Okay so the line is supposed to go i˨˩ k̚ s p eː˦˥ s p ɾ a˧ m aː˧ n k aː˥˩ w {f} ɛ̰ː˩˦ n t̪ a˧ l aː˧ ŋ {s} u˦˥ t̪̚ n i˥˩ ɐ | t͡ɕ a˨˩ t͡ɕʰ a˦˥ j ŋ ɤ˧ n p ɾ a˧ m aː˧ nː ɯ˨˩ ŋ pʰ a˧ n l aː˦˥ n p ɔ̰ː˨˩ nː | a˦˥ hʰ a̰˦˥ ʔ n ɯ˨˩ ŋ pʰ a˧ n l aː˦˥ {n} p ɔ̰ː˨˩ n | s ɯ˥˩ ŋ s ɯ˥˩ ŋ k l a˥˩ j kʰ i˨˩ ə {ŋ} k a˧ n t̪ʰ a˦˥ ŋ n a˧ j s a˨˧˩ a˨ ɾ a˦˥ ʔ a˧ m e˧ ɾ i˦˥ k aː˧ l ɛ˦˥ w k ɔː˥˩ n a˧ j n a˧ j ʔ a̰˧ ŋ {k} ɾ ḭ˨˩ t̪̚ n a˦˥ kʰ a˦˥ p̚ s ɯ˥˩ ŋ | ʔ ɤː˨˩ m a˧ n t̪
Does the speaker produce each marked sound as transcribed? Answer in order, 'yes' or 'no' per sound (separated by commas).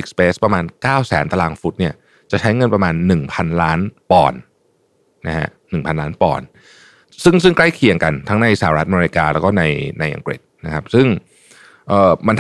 no, no, yes, yes, yes